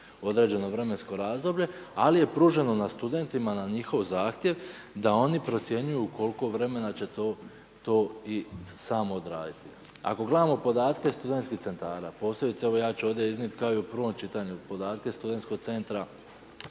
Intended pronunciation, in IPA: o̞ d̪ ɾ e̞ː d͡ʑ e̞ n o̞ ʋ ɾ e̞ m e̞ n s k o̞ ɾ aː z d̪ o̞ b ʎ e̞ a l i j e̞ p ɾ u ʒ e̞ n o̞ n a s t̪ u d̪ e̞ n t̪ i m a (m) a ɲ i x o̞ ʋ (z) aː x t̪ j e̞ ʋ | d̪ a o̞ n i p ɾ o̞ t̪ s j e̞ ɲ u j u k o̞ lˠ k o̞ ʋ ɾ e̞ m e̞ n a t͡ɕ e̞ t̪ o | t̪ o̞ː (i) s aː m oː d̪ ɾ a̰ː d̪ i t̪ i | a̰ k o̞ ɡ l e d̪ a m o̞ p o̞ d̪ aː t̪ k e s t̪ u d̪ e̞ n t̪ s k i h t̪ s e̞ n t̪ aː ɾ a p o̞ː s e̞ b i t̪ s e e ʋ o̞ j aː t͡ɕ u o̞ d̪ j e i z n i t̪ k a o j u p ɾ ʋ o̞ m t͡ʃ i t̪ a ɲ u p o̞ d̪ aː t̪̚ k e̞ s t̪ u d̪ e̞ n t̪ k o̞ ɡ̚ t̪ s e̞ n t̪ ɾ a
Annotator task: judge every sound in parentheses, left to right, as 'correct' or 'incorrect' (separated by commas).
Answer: incorrect, correct, correct